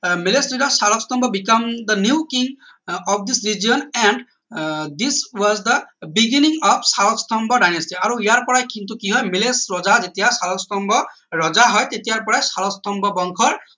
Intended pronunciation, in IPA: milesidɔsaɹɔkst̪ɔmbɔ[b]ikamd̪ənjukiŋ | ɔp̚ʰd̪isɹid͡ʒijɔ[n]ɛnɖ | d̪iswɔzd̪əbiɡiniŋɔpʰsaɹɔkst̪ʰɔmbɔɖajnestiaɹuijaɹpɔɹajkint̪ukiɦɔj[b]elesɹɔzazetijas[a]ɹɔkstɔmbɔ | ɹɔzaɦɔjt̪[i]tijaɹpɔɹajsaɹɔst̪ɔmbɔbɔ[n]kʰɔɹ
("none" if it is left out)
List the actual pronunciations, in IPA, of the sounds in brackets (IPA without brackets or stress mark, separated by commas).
b, n, m, a, e, ŋ